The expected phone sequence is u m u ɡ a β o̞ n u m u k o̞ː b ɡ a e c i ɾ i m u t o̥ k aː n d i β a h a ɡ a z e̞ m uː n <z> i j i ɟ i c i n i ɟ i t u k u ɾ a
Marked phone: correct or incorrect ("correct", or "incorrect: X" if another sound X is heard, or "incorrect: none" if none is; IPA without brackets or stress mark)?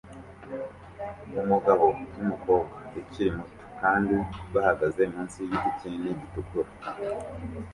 incorrect: s